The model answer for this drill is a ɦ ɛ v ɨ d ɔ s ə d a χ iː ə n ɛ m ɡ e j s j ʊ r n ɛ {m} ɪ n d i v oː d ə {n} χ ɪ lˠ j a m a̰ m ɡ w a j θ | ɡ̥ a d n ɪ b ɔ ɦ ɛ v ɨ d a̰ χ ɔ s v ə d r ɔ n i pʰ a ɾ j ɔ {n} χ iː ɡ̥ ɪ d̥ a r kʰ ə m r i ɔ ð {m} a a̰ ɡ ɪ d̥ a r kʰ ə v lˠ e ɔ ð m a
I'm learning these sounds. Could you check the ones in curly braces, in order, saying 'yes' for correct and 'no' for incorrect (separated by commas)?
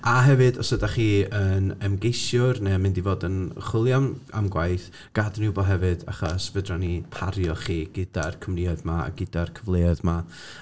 yes, yes, no, yes